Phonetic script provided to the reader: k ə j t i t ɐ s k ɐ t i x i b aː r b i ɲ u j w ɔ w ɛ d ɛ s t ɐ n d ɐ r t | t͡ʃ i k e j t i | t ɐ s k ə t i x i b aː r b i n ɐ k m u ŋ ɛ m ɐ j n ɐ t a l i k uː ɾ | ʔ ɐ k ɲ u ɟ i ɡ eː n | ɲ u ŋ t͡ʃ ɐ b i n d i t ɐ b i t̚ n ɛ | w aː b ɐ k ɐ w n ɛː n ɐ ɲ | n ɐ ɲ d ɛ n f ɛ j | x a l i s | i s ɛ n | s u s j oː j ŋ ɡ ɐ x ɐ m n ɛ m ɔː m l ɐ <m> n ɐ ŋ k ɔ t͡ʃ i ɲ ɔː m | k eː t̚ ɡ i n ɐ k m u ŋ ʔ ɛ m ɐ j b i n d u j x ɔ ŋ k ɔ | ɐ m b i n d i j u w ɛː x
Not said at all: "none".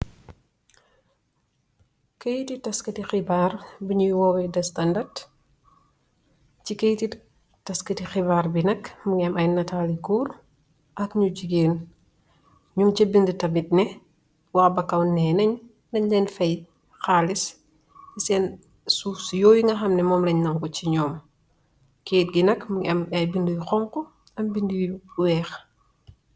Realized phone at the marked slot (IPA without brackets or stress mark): ɲ